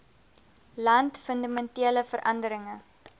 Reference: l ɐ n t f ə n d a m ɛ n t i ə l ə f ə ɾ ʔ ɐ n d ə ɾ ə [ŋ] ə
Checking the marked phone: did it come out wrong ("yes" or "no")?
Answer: no